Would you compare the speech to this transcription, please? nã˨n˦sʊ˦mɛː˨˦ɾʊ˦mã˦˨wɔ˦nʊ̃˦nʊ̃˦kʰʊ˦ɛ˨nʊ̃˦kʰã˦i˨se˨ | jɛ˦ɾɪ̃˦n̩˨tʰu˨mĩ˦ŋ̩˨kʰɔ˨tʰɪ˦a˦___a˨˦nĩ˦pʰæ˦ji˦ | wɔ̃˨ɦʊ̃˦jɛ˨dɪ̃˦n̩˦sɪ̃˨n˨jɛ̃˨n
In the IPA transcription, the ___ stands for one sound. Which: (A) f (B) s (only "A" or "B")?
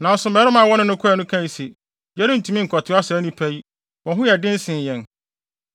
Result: B